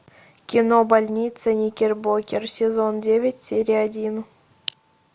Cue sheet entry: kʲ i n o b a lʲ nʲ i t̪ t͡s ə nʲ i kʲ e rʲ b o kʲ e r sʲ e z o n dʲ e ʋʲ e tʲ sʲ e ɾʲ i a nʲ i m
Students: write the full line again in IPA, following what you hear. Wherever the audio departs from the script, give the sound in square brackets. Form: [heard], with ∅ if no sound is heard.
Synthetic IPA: kʲ i n o b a lʲ nʲ i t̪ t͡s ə nʲ i kʲ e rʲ b o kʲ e r sʲ e z o n dʲ e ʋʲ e tʲ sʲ e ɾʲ i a [dʲ] i [n]

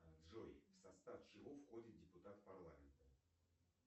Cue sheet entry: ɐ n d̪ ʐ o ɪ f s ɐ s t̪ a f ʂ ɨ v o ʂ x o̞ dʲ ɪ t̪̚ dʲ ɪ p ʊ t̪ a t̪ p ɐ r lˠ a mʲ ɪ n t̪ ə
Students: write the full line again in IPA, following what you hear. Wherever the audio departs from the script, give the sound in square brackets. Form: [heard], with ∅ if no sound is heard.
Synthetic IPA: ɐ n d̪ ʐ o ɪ f s ɐ s t̪ a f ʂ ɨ v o [f] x o̞ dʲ ɪ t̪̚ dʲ ɪ p ʊ t̪ a t̪ p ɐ r lˠ a mʲ ɪ n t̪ ə

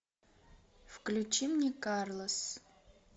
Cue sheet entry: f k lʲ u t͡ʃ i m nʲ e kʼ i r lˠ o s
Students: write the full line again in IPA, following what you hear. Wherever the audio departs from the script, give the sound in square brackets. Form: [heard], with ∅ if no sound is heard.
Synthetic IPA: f k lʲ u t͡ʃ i m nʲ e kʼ [a] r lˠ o s

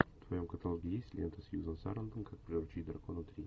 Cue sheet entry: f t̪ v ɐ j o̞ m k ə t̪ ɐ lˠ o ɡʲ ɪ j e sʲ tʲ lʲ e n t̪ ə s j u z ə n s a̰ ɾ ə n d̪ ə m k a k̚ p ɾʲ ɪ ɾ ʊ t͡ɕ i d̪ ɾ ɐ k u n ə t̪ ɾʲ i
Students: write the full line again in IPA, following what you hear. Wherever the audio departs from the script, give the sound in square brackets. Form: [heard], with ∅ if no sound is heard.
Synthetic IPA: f t̪ v ɐ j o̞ m k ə t̪ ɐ lˠ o ɡʲ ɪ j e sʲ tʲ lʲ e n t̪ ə s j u z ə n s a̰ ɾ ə n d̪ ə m k a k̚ p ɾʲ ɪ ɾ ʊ t͡ɕ i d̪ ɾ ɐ k [o] n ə t̪ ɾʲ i

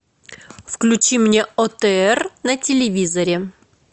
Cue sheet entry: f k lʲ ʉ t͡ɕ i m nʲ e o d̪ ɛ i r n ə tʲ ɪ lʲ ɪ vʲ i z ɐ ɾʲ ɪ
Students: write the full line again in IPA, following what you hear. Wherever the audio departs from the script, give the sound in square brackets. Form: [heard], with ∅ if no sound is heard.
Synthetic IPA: f k lʲ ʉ t͡ɕ i m nʲ e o [t̪] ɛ [ɛ] r n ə tʲ ɪ lʲ ɪ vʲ i z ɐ ɾʲ ɪ

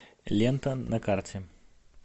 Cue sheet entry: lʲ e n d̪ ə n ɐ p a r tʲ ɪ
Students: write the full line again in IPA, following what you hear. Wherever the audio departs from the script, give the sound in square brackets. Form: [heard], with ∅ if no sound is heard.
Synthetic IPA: lʲ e n [t̪] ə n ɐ [k] a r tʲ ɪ

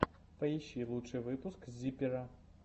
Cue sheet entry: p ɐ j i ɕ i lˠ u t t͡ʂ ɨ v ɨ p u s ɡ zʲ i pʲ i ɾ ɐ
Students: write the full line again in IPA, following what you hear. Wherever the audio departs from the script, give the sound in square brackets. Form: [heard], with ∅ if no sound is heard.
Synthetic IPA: p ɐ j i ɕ i lˠ u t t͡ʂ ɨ v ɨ p u s [k] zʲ i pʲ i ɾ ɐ

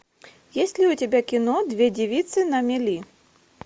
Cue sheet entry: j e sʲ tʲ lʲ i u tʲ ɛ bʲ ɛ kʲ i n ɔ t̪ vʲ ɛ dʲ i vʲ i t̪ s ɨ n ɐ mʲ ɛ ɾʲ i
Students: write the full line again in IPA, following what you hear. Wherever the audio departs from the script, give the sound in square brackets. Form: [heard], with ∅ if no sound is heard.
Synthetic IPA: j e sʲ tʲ lʲ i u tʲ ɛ bʲ [a] kʲ i n ɔ [d̪] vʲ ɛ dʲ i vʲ i t̪ s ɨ n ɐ mʲ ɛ [lʲ] i

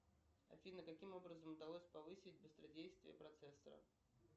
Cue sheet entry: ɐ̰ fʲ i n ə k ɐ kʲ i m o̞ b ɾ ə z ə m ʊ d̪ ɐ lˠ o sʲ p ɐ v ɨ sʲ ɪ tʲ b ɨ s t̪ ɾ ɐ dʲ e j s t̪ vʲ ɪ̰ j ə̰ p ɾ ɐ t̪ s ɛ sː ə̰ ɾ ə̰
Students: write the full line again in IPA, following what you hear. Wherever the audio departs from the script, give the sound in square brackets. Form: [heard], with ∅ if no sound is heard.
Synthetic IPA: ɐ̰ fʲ i n ə k ɐ kʲ i m o̞ b ɾ ə z ə m ʊ d̪ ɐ lˠ o sʲ p ɐ v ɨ sʲ ɪ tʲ b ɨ s t̪ ɾ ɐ dʲ e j s t̪ vʲ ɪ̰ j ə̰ p ɾ ɐ t̪ s ɛ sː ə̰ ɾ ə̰

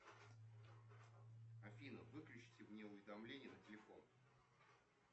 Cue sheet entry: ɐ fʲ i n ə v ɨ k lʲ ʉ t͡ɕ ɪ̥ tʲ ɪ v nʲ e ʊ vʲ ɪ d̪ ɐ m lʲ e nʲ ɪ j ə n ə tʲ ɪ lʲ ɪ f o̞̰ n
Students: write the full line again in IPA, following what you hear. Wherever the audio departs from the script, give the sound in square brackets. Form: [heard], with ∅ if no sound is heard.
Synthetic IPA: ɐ fʲ i n ə v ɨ k lʲ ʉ t͡ɕ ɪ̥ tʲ ɪ v nʲ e ʊ vʲ ɪ d̪ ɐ m lʲ e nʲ ɪ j ə n ə tʲ ɪ lʲ ɪ f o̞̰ n

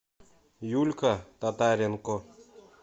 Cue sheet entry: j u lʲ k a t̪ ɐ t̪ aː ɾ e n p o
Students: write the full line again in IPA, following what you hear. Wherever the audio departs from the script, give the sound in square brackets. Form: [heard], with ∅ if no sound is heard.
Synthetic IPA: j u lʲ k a t̪ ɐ t̪ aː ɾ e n [k] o

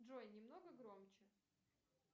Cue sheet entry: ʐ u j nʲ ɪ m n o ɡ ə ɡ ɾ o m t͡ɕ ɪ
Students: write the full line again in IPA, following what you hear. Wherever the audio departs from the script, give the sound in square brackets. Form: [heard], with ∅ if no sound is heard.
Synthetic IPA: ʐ [o] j nʲ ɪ m n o ɡ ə ɡ ɾ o m t͡ɕ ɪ

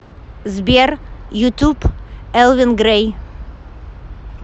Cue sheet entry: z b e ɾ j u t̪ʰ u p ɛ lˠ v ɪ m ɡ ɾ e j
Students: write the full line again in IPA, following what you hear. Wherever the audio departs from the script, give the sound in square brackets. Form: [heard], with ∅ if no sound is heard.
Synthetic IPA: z b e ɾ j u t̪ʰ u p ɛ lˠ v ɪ [n] ɡ ɾ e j

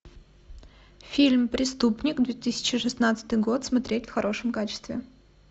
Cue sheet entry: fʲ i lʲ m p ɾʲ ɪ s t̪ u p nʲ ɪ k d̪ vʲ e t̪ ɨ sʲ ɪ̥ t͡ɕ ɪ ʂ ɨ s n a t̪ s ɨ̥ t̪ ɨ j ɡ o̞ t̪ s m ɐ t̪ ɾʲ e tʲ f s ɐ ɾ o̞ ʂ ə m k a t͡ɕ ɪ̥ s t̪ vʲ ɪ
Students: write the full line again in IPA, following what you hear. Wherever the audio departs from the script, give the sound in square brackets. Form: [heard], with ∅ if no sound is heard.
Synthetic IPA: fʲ i lʲ m p ɾʲ ɪ s t̪ u p nʲ ɪ k d̪ vʲ e t̪ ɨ sʲ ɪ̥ t͡ɕ ɪ ʂ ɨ s n a t̪ s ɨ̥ t̪ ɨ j ɡ o̞ t̪ s m ɐ t̪ ɾʲ e tʲ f [x] ɐ ɾ o̞ ʂ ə m k a t͡ɕ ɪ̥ s t̪ vʲ ɪ

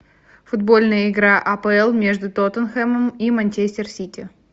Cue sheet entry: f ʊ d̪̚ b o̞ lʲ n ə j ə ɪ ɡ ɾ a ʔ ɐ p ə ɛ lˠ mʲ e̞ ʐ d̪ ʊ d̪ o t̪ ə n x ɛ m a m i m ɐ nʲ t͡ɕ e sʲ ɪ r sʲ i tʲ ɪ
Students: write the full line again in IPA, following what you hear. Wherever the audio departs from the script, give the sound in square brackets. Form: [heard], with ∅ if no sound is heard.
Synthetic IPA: f ʊ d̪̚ b o̞ lʲ n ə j ə ɪ ɡ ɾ a ʔ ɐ p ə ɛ lˠ mʲ e̞ ʐ d̪ ʊ [t̪] o t̪ ə n x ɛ m [ə] m i m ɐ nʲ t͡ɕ e sʲ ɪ r sʲ i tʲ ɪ

